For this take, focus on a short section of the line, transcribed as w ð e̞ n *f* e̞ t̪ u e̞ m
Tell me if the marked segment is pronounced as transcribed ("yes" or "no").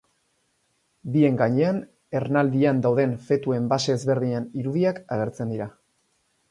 yes